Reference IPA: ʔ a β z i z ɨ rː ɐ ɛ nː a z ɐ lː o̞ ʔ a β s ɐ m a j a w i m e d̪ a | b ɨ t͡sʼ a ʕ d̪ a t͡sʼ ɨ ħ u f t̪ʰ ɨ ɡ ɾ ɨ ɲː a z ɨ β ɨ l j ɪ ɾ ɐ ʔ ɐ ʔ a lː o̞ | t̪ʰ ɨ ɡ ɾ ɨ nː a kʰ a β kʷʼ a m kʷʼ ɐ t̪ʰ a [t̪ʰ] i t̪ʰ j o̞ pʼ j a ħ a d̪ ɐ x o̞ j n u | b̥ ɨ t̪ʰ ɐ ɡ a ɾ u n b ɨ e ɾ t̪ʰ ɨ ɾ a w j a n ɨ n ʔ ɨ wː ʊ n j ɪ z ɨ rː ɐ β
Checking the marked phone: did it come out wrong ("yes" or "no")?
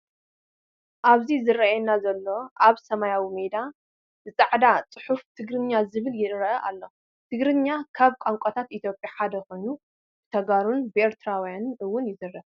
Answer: yes